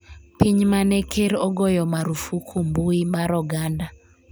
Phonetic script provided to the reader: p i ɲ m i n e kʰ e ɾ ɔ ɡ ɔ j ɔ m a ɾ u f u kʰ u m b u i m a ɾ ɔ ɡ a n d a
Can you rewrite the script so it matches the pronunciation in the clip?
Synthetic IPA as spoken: p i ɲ m a n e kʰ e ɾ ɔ ɡ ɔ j ɔ m a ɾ u f u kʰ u m b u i m a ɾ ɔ ɡ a n d a